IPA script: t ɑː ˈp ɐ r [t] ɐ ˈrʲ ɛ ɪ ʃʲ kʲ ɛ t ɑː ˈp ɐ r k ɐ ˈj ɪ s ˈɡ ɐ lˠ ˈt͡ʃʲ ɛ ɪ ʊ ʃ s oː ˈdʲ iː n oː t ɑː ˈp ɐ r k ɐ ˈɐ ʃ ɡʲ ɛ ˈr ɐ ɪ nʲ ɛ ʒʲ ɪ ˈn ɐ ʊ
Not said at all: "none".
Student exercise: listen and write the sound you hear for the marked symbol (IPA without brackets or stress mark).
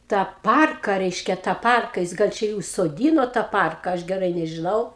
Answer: k